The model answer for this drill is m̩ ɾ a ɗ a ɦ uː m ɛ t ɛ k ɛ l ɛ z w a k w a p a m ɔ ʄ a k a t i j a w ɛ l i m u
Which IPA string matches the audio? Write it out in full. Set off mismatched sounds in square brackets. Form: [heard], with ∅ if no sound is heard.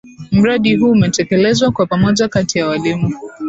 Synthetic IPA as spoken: m̩ ɾ a ɗ [i] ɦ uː m ɛ t ɛ k ɛ l ɛ z w a k w a p a m ɔ ʄ a k a t i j a w [a] l i m u

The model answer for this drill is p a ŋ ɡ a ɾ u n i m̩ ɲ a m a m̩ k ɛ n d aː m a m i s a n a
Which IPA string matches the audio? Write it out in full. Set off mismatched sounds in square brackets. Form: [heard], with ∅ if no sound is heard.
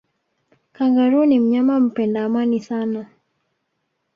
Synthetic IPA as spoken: [k] a ŋ ɡ a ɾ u n i m̩ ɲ a m a m̩ [p] ɛ n d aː m a [n] i s a n a

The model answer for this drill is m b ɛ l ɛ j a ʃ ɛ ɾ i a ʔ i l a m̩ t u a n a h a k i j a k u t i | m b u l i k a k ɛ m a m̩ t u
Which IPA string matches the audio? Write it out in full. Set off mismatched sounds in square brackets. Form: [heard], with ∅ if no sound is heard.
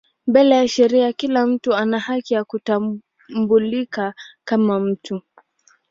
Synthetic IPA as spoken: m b ɛ l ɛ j a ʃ ɛ ɾ i a [k] i l a m̩ t u a n a h a k i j a k u t [a] | m b u l i k a k [a] m a m̩ t u

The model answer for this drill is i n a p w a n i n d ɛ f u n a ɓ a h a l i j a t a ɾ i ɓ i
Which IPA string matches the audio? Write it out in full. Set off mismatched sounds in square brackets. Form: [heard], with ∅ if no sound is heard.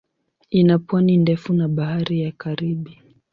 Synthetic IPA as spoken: i n a p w a n i n d ɛ f u n a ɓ a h a [ɾ] i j a [k] a ɾ i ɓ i

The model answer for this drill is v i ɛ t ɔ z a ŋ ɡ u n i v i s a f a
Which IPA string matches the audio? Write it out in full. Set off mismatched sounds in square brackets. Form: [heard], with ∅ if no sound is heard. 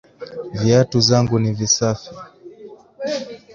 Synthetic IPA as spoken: v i [a] t [u] z a ŋ ɡ u n i v i s a f [i]

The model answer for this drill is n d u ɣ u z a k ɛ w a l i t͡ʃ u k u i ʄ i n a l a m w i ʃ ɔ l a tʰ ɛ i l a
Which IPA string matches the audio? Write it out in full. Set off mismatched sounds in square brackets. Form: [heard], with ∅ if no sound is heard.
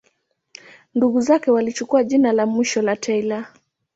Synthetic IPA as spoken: n d u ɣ u z a k ɛ w a l i t͡ʃ u k u [a] ʄ i n a l a m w i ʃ ɔ l a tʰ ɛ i l a

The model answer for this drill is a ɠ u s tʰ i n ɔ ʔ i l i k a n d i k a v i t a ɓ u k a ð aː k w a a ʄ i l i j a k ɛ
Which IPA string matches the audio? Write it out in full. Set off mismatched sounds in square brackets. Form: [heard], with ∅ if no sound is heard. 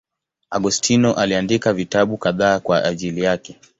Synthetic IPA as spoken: a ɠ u s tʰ i n ɔ ʔ [a] l i [∅] a n d i k a v i t a ɓ u k a ð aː k w a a ʄ i l i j a k ɛ

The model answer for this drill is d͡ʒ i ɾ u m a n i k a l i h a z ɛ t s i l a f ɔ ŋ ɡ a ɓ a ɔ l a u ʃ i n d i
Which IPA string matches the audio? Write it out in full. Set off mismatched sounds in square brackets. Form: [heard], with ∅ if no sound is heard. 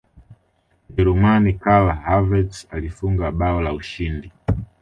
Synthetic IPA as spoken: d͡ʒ [ɛ] ɾ u m a n i k a l [a] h a [v] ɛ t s [a] l [i] f [u] ŋ ɡ a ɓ a ɔ l a u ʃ i n d i

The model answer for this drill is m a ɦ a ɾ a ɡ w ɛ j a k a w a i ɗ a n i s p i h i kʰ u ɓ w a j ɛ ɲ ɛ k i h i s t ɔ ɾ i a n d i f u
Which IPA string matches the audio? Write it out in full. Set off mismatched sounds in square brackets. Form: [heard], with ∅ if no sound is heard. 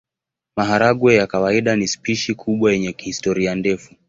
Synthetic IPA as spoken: m a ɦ a ɾ a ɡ w ɛ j a k a w a i ɗ a n i s p i [ʃ] i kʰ u ɓ w a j ɛ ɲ ɛ k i h i s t ɔ ɾ i a n d [ɛ] f u

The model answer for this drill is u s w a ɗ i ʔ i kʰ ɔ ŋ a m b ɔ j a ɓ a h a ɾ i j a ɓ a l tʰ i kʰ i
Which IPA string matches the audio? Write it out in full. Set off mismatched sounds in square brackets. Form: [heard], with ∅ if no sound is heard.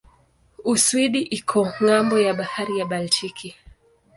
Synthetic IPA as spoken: u s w [i] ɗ i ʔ i kʰ ɔ ŋ a m b ɔ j a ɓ a h a ɾ i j a ɓ a l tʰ i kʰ i

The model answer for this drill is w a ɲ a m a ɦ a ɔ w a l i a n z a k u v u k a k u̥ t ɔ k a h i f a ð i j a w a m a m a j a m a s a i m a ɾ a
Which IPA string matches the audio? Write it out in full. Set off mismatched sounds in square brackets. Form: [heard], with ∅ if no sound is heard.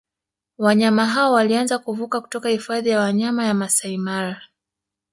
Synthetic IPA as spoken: w a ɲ a m a ɦ a ɔ w a l i a n z a k u v u k a k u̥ t ɔ k a h i f a ð i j a w a [ɲ] a m a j a m a s a i m a ɾ a

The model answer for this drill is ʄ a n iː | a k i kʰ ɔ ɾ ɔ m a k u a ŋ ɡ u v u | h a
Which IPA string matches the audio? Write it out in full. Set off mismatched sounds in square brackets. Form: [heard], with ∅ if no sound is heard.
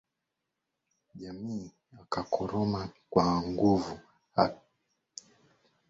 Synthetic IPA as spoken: ʄ a [m] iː | a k [a] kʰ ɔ ɾ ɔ m a k [w] a ŋ ɡ u v u | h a

